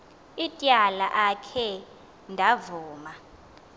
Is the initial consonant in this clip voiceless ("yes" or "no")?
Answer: yes